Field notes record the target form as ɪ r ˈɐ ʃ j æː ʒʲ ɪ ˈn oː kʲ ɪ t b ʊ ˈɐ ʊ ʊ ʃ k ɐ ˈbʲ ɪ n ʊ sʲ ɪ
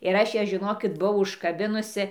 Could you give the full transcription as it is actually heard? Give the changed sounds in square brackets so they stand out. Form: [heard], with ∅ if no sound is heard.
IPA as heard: ɪ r ˈɐ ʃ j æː ʒʲ ɪ ˈn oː kʲ ɪ t b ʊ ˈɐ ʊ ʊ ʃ k ɐ ˈbʲ ɪ n ʊ sʲ ɪ

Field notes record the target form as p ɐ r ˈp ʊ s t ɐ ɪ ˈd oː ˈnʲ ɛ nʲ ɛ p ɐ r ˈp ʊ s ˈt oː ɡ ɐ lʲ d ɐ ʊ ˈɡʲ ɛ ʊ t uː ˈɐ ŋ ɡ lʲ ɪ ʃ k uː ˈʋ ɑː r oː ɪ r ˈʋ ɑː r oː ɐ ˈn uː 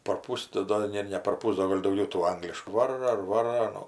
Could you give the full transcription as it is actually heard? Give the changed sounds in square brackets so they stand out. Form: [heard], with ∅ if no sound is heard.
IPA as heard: p ɐ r ˈp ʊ s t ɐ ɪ ˈd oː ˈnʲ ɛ nʲ ɛ p ɐ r ˈp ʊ s [ˈd] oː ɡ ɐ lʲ d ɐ ʊ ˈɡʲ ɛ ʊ t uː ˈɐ ŋ ɡ lʲ ɪ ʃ k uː ˈʋ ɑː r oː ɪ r ˈʋ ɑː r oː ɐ ˈn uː

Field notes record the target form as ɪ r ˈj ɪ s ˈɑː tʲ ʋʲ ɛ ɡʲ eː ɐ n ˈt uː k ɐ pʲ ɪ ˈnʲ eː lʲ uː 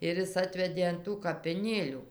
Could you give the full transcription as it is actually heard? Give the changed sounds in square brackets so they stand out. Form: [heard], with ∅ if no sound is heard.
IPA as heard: ɪ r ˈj ɪ s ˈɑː tʲ ʋʲ ɛ [dʲ] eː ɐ n ˈt uː k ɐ pʲ ɪ ˈnʲ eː lʲ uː

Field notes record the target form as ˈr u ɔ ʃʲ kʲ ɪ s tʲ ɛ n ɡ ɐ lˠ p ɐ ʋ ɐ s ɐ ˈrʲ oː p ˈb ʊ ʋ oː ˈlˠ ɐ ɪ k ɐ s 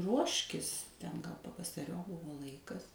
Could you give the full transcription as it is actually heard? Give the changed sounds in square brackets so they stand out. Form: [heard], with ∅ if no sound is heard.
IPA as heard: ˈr u ɔ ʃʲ kʲ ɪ s tʲ ɛ n ɡ ɐ lˠ p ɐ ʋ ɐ s ɐ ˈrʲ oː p ˈb ʊ ʋ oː ˈlˠ ɐ ɪ k ɐ s

